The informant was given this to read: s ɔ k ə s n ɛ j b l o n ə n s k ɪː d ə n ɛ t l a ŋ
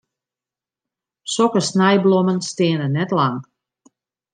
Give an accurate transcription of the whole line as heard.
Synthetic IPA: s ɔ k ə s n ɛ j b l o m ə n s t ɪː n ə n ɛ t l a ŋ

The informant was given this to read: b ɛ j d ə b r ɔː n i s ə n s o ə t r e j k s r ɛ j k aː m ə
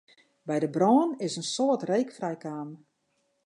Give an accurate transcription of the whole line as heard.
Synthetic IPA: b ɛ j d ə b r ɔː n ɪ s ə n s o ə t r e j k f r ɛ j k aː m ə

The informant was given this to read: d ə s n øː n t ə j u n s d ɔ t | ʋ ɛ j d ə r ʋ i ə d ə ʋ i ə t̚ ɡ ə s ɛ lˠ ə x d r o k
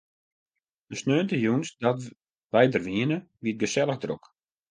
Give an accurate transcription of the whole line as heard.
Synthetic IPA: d ə s n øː n t ə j u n s d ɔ t | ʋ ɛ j d ə r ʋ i ə n ə ʋ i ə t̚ ɡ ə s ɛ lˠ ə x d r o k

